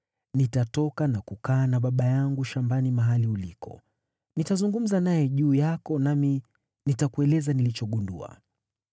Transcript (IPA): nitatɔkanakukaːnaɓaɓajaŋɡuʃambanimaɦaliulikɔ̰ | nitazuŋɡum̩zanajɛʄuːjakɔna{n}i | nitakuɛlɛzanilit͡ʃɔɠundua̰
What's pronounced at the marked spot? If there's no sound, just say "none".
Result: m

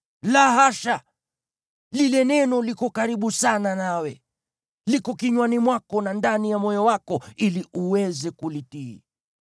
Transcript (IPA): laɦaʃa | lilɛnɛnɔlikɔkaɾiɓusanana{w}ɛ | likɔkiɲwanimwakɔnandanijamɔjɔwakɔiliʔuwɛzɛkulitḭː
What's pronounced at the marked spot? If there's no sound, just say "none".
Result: w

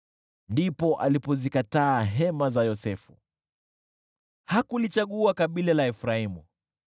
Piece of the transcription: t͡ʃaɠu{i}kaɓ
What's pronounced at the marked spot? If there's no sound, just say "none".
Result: a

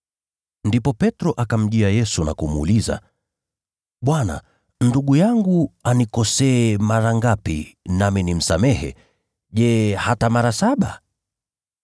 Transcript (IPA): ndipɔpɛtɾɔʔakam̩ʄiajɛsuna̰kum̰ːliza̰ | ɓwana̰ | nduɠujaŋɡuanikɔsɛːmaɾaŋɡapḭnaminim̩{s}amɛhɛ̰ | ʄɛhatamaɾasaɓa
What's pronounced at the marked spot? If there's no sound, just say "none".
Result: s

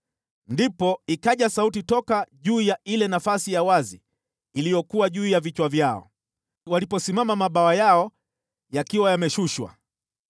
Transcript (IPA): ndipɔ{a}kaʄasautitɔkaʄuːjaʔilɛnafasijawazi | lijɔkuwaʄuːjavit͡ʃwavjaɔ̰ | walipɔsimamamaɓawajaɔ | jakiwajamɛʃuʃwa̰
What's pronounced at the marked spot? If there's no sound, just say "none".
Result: i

